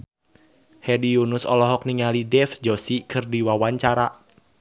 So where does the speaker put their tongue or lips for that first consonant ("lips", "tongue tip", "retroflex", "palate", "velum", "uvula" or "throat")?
throat